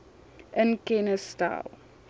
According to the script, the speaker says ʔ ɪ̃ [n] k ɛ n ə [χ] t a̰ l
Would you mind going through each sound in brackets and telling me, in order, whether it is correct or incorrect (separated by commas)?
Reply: correct, incorrect